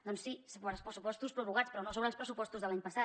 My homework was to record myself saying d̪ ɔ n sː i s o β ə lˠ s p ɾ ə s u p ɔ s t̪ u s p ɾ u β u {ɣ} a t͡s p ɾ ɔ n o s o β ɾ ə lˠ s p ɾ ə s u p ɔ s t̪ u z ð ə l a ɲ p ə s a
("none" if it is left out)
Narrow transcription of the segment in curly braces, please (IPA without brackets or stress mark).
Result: ɣ